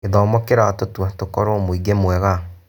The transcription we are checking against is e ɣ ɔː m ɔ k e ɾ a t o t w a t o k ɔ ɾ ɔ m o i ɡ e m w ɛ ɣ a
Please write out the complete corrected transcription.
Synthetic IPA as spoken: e ð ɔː m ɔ k e ɾ a t o t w a t o k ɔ ɾ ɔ m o i ɡ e m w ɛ ɣ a